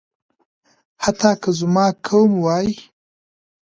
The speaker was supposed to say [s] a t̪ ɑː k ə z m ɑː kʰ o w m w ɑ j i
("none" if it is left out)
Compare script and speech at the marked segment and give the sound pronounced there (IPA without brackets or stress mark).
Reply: h